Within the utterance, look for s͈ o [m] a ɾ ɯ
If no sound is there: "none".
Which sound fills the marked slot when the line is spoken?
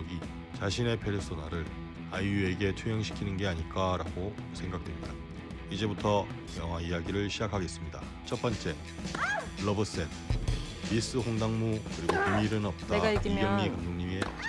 n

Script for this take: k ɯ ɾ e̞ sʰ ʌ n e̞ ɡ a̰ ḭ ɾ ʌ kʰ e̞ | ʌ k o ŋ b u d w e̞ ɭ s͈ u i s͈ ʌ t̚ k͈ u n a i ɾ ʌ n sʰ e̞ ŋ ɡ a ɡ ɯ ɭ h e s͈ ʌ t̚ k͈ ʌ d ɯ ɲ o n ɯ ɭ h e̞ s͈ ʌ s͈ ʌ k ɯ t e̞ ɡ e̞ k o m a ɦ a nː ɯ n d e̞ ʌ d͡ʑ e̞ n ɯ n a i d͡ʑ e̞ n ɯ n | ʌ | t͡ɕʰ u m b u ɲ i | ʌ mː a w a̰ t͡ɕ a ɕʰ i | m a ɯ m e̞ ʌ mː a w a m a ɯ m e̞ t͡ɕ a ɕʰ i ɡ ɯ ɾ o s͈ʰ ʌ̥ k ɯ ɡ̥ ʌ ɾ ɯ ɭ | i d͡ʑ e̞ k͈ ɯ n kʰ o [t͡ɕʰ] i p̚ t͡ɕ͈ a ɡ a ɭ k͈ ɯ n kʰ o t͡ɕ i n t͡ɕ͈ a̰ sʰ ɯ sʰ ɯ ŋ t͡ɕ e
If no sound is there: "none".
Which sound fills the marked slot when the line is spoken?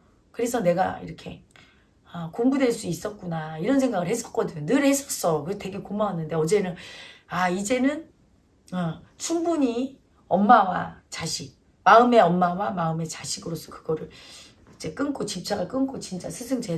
t͡ɕ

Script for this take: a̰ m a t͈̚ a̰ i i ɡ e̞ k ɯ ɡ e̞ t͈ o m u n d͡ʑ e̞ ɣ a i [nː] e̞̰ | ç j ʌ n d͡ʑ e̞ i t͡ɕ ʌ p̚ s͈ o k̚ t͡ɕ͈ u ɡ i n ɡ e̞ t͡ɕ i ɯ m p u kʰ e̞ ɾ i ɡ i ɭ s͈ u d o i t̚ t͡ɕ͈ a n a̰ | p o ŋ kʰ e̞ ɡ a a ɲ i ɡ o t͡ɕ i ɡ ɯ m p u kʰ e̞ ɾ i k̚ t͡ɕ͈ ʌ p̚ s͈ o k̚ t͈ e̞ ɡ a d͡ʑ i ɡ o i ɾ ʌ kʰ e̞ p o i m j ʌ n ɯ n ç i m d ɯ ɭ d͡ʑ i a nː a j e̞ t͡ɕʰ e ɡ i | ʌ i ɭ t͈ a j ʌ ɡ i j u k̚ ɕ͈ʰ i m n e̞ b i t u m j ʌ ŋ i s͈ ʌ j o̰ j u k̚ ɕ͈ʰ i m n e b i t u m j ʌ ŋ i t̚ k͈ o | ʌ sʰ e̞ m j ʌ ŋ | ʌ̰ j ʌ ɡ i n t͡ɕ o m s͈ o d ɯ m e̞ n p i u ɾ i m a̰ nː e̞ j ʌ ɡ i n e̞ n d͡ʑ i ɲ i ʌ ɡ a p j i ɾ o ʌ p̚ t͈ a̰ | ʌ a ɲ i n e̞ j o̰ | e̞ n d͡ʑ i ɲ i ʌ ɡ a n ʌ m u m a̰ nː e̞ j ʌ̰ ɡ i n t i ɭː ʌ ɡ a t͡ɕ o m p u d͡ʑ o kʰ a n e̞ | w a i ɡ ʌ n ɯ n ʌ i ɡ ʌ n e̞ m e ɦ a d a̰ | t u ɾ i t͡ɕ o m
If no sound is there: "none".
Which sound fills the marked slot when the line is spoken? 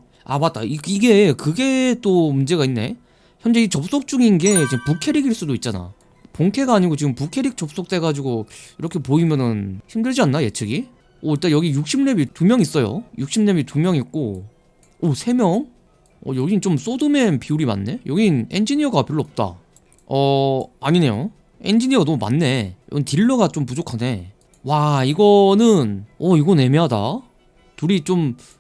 nː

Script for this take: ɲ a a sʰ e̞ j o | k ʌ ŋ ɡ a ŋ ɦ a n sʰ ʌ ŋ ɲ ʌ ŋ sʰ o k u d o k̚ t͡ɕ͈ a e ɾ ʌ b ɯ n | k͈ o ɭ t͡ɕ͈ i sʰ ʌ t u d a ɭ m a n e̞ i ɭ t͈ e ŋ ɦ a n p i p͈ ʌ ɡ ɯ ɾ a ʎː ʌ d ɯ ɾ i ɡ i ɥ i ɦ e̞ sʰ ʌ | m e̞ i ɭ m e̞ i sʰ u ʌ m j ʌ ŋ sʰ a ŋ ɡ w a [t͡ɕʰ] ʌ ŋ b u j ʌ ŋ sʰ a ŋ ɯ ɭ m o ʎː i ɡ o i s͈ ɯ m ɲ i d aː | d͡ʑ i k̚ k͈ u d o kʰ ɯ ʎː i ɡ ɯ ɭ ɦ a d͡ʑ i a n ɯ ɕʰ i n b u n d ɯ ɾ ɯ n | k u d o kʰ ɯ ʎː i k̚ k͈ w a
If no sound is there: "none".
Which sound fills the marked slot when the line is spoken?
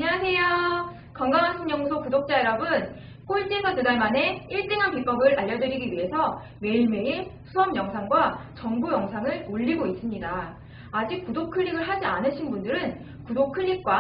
t͡ɕ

